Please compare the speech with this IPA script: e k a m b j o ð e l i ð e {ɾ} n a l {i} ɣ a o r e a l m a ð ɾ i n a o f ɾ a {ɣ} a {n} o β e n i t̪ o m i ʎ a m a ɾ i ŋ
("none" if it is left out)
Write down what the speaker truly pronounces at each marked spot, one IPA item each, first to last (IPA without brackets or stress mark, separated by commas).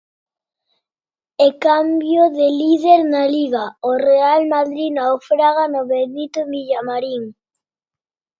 ɾ, i, ɣ, n